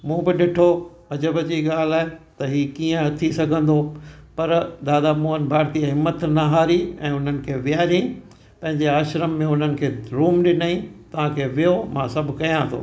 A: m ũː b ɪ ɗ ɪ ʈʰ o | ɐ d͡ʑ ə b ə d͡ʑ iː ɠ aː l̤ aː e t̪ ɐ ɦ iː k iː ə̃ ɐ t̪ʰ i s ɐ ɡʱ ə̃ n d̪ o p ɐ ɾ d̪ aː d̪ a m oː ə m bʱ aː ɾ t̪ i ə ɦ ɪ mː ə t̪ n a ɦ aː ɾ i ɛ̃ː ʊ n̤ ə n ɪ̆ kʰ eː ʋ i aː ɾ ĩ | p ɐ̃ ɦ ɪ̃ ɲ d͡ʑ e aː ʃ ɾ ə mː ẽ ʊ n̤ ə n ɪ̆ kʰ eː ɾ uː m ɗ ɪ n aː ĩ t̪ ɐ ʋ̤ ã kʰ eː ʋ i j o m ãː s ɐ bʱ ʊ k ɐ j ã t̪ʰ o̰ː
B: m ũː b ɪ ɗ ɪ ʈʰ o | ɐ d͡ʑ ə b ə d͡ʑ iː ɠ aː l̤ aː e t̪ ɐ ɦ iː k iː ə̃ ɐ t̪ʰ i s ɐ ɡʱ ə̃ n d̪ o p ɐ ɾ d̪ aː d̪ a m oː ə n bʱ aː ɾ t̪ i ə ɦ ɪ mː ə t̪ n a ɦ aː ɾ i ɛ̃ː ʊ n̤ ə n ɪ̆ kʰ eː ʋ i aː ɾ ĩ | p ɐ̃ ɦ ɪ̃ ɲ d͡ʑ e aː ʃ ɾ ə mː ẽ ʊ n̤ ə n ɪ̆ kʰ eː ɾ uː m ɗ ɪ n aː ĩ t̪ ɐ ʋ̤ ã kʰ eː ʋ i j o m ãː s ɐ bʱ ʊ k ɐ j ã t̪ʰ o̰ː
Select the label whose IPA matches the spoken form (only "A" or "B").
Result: B